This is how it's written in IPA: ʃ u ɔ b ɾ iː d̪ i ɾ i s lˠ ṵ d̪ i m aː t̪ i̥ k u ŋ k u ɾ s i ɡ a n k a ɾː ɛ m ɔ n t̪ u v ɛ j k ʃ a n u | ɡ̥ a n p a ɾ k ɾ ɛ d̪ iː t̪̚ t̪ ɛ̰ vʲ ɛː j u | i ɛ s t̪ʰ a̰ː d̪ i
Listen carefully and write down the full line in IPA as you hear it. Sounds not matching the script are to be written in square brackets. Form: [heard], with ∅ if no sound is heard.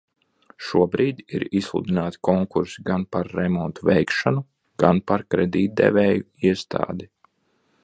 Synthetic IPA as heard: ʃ u ɔ b ɾ iː d̪ i ɾ i s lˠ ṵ d̪ i [n] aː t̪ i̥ k [ɔ] ŋ k u ɾ s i ɡ a n [p] a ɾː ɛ m ɔ n t̪ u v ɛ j k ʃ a n u | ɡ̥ a n p a ɾ k ɾ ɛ d̪ iː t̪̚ [d̪] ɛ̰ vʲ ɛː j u | i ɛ s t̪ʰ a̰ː d̪ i